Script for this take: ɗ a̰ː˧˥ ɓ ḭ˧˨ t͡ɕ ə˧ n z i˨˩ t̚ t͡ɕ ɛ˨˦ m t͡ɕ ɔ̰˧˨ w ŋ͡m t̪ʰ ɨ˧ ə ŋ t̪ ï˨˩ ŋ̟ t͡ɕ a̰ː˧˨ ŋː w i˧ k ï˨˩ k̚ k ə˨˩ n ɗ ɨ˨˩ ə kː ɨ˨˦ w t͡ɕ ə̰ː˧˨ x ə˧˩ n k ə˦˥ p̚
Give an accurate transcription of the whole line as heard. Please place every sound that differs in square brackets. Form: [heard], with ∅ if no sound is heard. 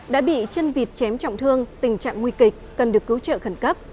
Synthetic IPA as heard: ɗ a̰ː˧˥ ɓ ḭ˧˨ t͡ɕ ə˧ n [v] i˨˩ t̚ t͡ɕ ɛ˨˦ m t͡ɕ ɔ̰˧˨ w ŋ͡m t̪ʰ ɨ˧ ə ŋ t̪ ï˨˩ ŋ̟ t͡ɕ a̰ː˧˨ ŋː w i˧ k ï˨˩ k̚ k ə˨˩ n ɗ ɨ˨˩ ə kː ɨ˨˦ w t͡ɕ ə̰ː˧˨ x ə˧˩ n k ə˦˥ p̚